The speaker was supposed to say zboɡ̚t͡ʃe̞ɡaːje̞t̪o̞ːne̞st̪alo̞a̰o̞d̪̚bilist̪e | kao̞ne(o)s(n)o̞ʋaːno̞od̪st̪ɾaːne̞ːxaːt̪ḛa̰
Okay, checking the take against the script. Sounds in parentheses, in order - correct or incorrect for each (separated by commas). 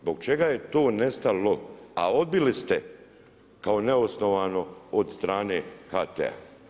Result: correct, correct